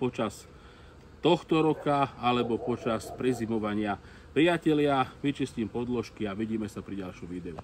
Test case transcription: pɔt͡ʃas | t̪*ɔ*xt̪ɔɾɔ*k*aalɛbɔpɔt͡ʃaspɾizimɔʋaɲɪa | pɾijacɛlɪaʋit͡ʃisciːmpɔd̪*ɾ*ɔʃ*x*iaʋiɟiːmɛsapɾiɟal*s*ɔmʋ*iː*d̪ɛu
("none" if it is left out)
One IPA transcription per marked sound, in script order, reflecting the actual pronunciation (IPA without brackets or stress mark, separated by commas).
ɔ, k, l, k, ʃ, iː